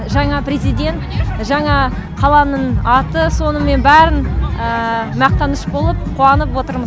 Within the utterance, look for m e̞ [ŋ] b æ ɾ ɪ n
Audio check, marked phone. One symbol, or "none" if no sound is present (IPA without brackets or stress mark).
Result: n